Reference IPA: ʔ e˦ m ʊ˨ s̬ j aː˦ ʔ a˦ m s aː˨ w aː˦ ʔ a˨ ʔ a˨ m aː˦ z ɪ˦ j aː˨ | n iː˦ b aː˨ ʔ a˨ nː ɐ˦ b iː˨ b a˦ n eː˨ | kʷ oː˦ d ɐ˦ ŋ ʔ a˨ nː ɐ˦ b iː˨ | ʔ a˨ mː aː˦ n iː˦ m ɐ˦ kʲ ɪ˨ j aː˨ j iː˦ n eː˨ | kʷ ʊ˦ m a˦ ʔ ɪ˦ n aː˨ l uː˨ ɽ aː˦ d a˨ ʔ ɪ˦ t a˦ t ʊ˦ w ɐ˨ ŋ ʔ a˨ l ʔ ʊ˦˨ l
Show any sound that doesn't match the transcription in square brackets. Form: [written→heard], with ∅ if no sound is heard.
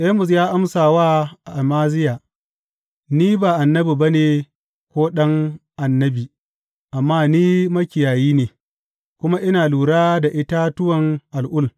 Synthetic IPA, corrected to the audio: ʔ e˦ m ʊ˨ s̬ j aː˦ ʔ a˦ m s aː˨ w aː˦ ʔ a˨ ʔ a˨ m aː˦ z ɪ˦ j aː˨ | n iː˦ b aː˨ ʔ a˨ nː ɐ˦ b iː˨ b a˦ n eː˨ | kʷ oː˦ [d→ɗ] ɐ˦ ŋ ʔ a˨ nː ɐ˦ b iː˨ | ʔ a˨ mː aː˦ n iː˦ m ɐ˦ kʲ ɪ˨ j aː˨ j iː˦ n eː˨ | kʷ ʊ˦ m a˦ ʔ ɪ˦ n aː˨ l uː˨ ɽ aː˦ d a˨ ʔ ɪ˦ t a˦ t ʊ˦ w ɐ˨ ŋ ʔ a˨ l ʔ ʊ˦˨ l